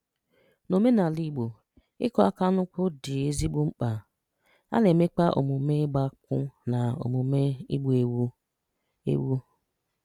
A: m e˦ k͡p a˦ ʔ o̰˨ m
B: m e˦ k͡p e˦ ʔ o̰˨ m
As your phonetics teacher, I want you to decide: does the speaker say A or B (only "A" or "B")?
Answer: A